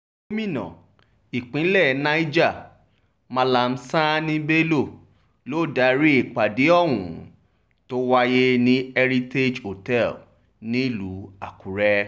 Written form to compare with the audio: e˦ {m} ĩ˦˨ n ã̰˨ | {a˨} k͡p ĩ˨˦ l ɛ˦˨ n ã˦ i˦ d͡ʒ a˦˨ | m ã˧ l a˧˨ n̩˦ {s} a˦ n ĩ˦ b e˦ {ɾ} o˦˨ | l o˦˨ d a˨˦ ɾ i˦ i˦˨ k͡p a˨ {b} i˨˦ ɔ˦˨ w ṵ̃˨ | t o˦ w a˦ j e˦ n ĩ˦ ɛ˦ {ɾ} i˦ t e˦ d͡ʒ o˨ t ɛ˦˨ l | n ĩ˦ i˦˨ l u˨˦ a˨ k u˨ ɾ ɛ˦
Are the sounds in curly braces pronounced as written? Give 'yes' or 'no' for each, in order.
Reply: yes, no, yes, no, no, yes

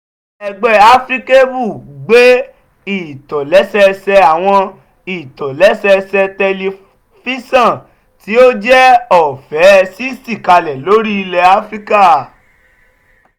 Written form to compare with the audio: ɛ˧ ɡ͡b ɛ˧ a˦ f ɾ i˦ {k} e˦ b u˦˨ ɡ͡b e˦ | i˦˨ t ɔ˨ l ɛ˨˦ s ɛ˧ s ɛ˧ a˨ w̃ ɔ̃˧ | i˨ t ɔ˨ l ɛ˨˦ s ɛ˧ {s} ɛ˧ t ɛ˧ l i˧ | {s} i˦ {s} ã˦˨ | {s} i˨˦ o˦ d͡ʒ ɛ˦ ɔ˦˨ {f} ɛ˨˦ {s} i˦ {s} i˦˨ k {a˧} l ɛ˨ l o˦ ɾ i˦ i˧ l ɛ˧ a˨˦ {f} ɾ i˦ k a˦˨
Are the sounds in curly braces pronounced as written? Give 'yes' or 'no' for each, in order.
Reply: yes, yes, no, yes, no, yes, yes, yes, yes, yes

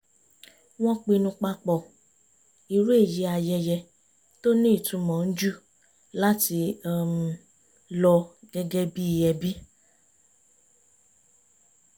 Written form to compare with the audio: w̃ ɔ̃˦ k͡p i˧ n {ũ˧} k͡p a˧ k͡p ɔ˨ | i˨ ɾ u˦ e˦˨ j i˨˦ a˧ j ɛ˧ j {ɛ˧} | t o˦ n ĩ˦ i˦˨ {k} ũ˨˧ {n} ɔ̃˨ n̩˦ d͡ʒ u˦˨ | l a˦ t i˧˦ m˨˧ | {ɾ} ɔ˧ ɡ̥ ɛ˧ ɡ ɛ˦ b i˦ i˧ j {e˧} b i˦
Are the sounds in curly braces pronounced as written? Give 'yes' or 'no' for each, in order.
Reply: yes, yes, no, no, no, no

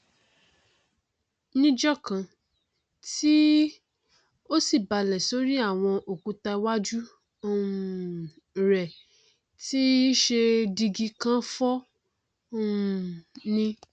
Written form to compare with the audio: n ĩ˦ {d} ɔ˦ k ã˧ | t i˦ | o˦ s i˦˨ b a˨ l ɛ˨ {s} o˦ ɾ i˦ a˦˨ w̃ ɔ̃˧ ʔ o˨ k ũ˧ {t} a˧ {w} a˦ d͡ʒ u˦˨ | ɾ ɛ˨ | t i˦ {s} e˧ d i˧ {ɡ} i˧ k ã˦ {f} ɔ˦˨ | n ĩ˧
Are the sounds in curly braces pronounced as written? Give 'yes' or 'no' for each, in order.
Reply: no, yes, yes, yes, no, yes, yes

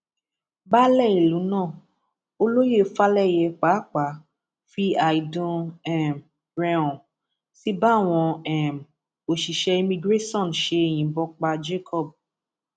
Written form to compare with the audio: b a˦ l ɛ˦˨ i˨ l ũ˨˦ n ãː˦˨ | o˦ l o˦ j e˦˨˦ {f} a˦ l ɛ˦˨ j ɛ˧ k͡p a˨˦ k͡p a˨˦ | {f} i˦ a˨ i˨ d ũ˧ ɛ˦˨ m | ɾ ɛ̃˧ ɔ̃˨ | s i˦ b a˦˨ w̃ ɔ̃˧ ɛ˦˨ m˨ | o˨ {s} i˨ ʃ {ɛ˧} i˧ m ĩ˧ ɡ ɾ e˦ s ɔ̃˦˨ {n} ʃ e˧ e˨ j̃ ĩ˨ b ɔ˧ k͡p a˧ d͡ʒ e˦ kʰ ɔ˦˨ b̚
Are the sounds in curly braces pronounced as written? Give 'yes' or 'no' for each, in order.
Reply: yes, yes, no, yes, yes

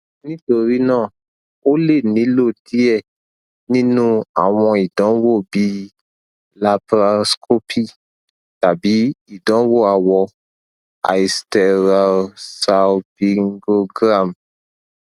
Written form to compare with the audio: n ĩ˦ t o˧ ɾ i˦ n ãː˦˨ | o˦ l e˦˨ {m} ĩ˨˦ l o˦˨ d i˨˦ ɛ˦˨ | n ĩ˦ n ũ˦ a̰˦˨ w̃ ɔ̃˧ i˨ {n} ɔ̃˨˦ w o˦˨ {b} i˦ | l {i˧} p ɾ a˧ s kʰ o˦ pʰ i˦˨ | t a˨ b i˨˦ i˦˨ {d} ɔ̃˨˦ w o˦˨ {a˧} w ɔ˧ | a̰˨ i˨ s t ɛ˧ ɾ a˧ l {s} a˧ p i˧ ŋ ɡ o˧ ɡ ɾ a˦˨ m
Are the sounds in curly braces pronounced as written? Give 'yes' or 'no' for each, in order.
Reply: no, no, yes, no, yes, yes, yes

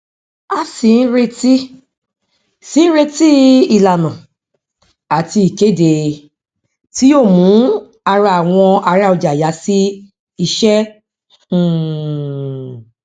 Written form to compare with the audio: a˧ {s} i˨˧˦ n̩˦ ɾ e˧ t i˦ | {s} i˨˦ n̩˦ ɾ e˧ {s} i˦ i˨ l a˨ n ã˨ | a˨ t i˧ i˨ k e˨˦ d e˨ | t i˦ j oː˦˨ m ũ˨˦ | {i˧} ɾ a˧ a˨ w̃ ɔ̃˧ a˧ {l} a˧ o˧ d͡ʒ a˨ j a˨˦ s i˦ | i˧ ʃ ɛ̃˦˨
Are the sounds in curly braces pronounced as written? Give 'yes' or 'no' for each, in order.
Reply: yes, yes, no, no, no

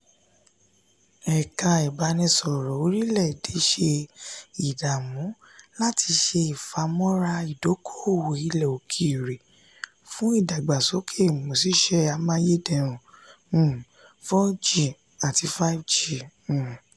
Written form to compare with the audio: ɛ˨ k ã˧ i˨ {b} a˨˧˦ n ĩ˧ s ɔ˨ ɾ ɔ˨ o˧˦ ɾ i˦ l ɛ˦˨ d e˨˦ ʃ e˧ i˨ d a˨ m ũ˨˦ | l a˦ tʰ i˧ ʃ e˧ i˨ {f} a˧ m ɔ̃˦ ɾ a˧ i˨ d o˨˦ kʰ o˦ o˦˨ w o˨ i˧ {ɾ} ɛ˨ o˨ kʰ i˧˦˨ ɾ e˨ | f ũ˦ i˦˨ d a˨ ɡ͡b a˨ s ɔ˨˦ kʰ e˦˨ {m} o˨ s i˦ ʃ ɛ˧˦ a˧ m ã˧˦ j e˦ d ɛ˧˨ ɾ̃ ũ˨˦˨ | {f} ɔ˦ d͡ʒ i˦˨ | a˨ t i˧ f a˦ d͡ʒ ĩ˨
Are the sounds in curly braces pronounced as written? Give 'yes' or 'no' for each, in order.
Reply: yes, yes, no, yes, yes

